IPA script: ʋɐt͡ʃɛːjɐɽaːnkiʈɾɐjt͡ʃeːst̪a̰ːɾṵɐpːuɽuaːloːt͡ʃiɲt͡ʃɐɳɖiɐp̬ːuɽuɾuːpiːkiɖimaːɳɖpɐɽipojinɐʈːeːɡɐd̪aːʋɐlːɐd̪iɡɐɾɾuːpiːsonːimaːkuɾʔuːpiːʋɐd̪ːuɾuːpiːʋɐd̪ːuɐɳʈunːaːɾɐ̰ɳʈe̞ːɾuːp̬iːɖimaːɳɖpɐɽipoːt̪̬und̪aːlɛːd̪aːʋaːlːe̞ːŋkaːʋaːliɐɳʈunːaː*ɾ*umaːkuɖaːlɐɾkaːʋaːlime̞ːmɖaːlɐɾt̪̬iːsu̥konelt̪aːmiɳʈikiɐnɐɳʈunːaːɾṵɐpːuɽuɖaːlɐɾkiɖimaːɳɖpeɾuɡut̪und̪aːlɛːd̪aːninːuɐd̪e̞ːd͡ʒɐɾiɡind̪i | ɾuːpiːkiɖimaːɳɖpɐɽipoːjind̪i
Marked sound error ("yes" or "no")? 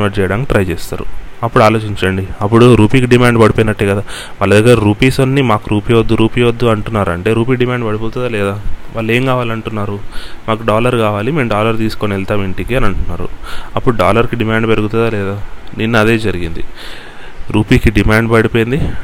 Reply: no